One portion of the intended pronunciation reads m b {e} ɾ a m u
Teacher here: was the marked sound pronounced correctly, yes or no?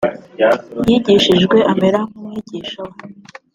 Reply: yes